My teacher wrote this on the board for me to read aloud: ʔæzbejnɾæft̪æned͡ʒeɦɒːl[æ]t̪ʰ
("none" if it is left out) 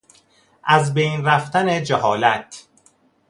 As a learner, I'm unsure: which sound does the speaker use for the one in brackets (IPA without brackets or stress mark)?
æ